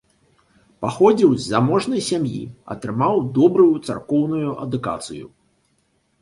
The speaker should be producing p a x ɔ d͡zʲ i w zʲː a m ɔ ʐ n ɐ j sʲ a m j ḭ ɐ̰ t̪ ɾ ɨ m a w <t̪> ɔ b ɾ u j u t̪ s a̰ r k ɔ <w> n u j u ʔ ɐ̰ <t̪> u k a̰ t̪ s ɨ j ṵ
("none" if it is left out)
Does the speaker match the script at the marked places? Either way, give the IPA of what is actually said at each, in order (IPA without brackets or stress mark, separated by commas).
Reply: d̪, w, d̪